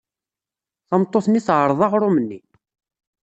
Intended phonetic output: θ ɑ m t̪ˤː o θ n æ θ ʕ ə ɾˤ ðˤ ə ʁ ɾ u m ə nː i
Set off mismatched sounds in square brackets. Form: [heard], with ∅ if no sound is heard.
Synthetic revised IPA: θ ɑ m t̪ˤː o θ n [i] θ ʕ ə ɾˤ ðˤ [ɑ] ʁ ɾ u m ə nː i